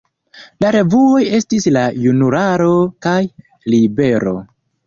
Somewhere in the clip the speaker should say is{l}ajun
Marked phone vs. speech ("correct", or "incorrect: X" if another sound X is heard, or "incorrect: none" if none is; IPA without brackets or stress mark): correct